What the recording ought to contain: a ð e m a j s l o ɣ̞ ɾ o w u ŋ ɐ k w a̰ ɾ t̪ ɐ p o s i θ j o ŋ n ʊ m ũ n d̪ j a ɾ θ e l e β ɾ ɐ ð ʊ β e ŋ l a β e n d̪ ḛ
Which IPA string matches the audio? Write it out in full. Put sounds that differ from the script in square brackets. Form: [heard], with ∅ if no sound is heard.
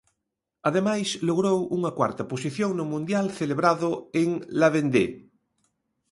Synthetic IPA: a ð e m a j s l o ɣ̞ ɾ o w u ŋ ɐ k w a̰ ɾ t̪ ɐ p o s i θ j o ŋ n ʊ m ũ n d̪ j a [l] θ e l e β ɾ [a] ð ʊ [∅] e ŋ l a β e n d̪ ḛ